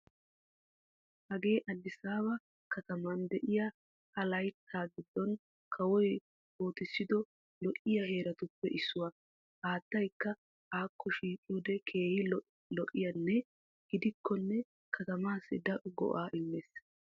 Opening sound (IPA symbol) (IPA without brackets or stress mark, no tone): h